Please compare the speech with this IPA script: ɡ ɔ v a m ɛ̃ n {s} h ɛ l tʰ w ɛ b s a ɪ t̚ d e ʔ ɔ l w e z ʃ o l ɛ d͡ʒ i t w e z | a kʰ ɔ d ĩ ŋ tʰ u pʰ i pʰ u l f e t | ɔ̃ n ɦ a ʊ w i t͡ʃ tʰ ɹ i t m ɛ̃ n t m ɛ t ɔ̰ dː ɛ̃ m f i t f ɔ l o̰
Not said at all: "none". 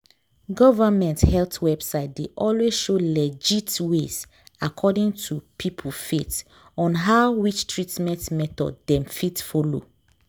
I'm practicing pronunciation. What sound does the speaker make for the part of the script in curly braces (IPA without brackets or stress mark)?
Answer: t